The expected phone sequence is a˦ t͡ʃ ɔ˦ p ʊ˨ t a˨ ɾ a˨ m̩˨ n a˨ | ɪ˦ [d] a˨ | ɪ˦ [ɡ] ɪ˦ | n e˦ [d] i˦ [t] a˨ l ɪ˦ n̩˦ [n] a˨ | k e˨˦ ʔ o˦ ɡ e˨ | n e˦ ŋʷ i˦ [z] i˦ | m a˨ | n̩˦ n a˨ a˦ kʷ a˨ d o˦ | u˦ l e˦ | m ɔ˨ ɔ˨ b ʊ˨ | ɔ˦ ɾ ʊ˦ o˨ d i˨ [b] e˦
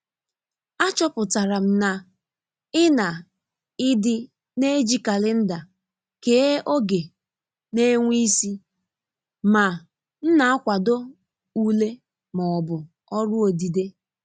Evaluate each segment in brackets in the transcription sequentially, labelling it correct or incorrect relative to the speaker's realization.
incorrect: n, incorrect: d, incorrect: d͡ʒ, incorrect: k, incorrect: d, incorrect: s, incorrect: d

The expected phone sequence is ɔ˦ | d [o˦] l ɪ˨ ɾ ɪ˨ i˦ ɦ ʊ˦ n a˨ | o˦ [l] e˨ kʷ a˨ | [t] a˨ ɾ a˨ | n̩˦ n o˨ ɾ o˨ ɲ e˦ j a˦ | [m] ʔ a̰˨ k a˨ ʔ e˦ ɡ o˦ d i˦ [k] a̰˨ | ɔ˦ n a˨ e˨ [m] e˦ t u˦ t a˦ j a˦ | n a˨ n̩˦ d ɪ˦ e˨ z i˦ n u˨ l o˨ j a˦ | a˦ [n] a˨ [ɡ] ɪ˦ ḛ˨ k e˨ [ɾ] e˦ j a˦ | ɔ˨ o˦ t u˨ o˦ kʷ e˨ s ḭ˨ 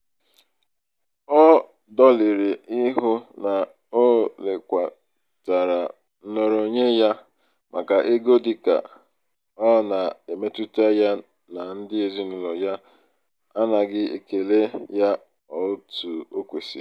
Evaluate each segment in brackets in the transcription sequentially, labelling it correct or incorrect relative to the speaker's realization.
incorrect: ɔ˦, correct, correct, correct, correct, correct, correct, correct, incorrect: l

